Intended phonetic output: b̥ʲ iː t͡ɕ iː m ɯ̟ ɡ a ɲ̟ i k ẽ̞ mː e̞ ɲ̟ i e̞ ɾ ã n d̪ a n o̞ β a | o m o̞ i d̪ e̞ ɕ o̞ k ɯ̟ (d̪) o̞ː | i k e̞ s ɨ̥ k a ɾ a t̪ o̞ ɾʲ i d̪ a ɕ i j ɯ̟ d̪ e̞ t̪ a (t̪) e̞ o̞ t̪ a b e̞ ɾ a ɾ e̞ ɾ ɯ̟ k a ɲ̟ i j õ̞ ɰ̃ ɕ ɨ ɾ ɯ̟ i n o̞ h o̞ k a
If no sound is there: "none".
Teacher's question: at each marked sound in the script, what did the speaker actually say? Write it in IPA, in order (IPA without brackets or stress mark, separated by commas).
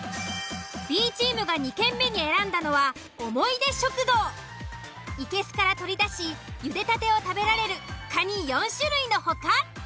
d̪, t̪